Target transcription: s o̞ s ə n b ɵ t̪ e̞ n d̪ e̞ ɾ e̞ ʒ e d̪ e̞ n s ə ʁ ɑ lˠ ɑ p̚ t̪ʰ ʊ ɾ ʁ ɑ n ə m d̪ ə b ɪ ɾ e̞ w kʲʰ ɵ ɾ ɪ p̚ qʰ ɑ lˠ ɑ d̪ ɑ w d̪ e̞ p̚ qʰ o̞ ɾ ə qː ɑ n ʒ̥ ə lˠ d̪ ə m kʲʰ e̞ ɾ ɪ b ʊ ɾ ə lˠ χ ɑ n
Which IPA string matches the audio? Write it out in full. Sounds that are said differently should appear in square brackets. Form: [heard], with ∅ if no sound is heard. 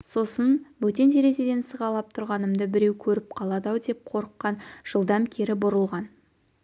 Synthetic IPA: s o̞ s ə n b ɵ t̪ e̞ n d̪ e̞ ɾ e̞ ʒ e d̪ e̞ n s ə ʁ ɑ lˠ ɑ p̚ t̪ʰ ʊ ɾ ʁ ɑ n ə m d̪ ə b ɪ ɾ e̞ w kʲʰ ɵ ɾ ɪ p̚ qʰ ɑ lˠ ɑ d̪ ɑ w d̪ e̞ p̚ qʰ o̞ ɾ ə qː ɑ n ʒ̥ ə lˠ d̪ [ɑ] m kʲʰ e̞ ɾ ɪ b ʊ ɾ ə lˠ [ʁ] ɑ n